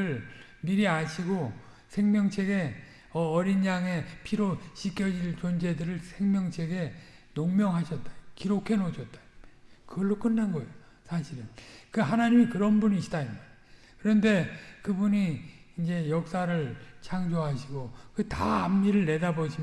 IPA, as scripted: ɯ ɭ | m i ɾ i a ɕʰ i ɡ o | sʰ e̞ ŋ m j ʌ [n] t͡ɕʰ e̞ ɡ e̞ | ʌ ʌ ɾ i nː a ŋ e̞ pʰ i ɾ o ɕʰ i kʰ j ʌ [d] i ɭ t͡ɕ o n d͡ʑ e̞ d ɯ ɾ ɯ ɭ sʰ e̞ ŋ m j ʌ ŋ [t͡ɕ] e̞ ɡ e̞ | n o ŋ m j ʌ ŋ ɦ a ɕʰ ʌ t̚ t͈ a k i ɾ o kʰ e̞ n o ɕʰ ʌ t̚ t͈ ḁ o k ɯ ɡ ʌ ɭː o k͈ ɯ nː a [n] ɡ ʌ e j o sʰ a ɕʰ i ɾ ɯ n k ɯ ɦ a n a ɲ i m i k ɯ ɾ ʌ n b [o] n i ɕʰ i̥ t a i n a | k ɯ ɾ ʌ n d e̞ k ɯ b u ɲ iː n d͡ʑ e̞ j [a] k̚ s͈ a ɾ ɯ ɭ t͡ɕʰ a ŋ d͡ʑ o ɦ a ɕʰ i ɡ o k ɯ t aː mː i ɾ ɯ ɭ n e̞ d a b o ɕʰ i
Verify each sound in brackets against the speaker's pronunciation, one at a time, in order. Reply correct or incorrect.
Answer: incorrect: ŋ, incorrect: d͡ʑ, incorrect: t͡ɕʰ, correct, incorrect: u, incorrect: ʌ

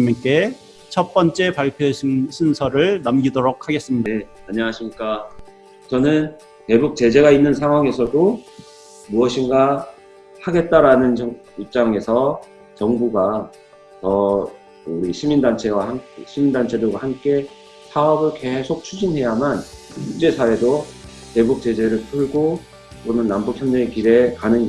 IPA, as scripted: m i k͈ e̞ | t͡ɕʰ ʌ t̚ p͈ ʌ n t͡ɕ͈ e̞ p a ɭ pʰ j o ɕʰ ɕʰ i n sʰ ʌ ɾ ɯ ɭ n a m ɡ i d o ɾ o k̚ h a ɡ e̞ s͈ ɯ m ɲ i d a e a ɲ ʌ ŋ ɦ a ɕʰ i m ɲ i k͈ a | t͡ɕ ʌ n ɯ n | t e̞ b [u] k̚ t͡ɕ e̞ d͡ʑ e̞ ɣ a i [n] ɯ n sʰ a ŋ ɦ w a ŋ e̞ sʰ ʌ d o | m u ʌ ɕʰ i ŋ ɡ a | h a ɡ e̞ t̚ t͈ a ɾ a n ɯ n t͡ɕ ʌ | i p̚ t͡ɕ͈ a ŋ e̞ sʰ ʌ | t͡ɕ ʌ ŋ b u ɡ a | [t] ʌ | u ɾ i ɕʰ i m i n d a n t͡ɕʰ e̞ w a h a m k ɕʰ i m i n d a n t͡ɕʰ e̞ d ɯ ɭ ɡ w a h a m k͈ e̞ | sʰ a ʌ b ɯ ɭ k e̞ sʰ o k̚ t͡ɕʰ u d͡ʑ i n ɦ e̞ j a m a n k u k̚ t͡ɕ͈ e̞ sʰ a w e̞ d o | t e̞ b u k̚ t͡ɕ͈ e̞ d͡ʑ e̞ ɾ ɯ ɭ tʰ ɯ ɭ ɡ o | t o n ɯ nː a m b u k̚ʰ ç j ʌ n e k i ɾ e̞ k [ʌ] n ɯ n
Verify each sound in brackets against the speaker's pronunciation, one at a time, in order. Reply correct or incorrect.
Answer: correct, incorrect: nː, correct, incorrect: a

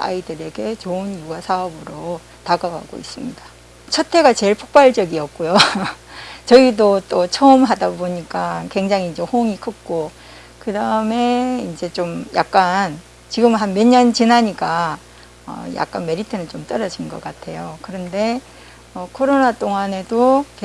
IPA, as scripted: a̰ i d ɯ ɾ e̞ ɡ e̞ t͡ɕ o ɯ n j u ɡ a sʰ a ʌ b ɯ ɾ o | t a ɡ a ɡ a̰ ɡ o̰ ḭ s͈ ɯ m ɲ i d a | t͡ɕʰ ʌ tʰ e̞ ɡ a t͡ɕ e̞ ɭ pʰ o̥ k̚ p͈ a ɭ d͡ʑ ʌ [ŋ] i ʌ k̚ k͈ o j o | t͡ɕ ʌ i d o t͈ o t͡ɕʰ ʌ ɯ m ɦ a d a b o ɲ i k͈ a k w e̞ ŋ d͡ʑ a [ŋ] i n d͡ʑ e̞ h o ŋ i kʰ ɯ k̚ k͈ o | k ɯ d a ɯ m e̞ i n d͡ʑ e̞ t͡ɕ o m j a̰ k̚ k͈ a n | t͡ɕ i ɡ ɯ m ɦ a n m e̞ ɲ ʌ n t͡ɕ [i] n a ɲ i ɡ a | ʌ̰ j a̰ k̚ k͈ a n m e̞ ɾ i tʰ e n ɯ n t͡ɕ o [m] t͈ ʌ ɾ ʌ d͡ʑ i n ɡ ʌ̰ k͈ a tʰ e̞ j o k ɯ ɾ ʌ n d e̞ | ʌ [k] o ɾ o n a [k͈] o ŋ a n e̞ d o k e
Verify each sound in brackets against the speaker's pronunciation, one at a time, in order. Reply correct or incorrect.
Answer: incorrect: ɡ, correct, correct, correct, incorrect: kʰ, incorrect: t͈

